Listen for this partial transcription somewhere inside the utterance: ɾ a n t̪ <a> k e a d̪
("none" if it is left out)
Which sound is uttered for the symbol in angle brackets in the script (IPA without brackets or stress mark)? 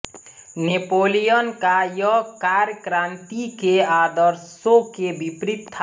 i